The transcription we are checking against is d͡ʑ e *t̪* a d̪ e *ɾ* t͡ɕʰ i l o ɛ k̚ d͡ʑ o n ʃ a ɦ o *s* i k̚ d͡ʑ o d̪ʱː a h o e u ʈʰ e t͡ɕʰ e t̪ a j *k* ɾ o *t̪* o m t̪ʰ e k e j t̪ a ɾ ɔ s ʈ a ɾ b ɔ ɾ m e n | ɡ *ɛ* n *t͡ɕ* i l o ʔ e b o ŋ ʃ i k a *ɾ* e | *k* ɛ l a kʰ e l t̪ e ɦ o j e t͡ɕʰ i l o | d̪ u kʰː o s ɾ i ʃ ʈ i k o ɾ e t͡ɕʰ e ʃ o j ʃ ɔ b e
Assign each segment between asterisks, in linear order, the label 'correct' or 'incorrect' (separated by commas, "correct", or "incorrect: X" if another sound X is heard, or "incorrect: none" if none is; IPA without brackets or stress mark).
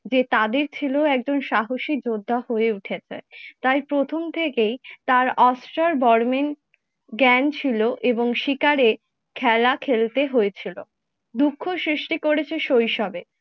correct, correct, incorrect: ʃ, incorrect: p, incorrect: t̪ʰ, correct, incorrect: t͡ɕʰ, correct, incorrect: kʰ